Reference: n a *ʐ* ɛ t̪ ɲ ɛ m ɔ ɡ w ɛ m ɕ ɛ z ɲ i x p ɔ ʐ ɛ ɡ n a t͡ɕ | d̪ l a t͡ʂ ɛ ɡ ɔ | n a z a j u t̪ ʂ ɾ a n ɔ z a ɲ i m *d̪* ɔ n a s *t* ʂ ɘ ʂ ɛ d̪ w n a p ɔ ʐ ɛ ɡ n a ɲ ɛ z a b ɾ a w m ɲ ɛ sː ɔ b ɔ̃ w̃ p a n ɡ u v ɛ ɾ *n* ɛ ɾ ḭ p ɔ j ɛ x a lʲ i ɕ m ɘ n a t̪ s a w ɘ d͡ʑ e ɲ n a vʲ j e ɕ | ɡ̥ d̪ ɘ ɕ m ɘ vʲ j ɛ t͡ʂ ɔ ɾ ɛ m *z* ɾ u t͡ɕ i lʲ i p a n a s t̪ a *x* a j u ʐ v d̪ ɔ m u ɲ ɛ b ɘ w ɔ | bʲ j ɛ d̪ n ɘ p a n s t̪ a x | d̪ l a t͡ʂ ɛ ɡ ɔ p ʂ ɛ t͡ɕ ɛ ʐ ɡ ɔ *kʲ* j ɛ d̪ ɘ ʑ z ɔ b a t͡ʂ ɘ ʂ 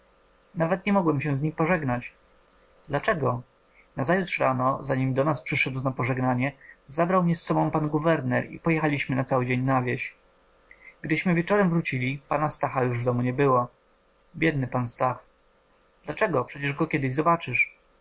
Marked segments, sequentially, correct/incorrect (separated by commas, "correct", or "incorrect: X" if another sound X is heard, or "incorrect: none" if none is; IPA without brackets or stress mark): incorrect: v, correct, incorrect: p, correct, incorrect: v, correct, correct